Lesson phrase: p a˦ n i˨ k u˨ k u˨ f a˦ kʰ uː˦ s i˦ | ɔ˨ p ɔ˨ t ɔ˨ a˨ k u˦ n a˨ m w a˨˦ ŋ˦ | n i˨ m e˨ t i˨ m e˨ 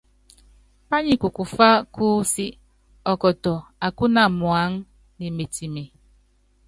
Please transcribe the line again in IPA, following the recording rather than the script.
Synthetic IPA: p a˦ ɲ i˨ k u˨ k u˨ f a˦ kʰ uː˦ s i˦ | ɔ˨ k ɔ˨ t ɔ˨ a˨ k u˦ n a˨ m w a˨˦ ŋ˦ | n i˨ m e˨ t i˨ m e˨